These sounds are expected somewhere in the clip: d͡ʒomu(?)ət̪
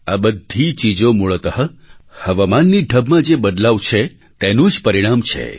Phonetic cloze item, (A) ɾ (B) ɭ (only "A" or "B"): B